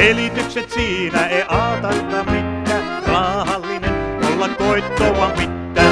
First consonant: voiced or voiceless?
voiced